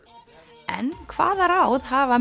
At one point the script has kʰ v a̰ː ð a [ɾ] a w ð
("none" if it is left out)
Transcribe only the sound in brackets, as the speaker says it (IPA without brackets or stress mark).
ɾ